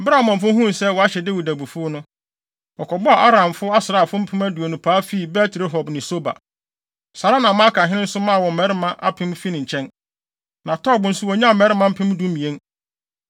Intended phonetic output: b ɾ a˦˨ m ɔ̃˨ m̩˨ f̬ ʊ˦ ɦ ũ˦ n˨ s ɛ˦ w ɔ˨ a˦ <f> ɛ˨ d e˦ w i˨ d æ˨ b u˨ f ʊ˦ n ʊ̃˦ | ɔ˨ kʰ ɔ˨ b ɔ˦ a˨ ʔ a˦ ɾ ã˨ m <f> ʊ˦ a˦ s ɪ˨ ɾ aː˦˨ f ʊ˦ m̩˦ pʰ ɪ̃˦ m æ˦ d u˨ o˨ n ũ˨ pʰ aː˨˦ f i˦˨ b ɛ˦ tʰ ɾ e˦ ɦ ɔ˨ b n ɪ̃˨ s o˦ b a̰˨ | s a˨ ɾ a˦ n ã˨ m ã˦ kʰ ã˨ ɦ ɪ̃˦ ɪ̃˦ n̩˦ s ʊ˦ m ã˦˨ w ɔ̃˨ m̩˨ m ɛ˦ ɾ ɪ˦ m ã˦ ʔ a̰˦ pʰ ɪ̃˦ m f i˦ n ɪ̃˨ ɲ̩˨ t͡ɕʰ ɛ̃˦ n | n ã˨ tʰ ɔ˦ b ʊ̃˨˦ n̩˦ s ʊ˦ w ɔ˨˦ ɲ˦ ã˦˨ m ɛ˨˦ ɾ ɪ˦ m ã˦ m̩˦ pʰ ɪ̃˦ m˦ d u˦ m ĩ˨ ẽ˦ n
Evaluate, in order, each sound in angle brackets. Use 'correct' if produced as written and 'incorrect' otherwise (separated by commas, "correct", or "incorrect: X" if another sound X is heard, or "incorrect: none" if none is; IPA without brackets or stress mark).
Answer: incorrect: ɕ, correct